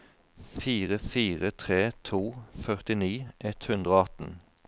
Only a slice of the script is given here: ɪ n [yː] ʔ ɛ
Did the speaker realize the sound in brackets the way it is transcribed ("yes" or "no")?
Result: no